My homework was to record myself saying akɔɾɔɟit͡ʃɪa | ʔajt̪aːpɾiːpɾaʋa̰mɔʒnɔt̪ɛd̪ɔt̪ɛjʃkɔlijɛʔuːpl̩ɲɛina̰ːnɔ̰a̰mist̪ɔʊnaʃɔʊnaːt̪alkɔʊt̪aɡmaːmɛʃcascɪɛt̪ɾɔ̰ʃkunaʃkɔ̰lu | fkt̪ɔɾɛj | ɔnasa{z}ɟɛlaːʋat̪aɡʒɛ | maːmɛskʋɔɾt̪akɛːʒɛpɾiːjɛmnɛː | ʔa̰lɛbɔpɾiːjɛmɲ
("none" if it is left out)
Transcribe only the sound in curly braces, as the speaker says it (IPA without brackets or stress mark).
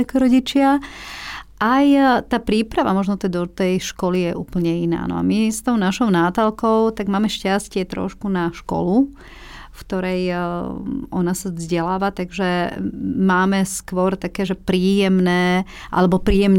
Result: z